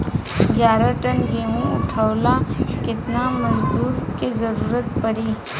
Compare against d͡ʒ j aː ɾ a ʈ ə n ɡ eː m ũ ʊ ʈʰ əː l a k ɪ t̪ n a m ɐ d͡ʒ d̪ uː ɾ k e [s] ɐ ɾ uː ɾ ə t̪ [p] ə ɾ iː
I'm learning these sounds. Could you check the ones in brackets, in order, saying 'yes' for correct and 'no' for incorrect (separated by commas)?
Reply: no, yes